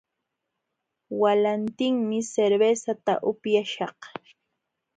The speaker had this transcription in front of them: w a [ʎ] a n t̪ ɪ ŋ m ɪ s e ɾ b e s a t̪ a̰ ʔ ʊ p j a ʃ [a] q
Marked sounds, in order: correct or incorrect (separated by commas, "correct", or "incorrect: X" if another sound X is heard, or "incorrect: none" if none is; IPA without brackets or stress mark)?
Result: incorrect: l, incorrect: ɑ